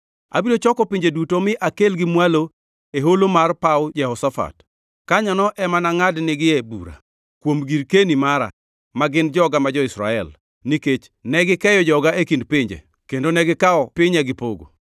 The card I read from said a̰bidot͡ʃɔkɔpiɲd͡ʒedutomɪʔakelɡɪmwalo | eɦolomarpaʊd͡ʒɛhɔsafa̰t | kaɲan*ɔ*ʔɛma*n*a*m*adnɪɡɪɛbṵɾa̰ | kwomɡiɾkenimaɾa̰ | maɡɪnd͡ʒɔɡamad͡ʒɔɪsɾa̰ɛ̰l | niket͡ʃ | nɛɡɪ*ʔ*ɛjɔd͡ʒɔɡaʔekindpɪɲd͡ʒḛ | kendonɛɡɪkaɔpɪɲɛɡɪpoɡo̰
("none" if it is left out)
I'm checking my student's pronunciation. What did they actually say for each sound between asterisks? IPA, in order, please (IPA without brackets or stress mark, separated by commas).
ɔ, n, ŋ, k